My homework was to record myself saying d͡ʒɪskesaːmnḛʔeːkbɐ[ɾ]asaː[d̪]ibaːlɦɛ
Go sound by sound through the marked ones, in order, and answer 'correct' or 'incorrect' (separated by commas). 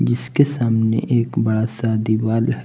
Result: incorrect, correct